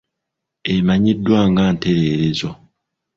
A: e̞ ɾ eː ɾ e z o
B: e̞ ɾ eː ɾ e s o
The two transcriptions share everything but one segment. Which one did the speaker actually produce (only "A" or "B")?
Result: A